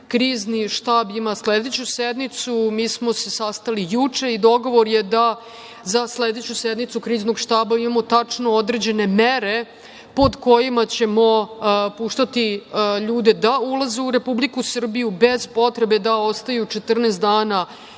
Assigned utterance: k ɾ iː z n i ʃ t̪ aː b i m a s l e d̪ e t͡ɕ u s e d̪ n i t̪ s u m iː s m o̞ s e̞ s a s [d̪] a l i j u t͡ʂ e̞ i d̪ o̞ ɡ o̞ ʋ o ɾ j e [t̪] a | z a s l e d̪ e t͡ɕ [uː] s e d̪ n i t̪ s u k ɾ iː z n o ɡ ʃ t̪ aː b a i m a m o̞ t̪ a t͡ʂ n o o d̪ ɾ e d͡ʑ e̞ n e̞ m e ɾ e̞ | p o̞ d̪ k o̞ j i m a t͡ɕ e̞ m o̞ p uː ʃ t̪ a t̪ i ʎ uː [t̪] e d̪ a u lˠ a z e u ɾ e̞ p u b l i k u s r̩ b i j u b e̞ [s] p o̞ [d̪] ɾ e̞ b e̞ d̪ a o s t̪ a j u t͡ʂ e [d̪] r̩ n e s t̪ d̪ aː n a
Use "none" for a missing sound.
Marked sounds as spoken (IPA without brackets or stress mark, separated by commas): t̪, d̪, u, d̪, z, t̪, t̪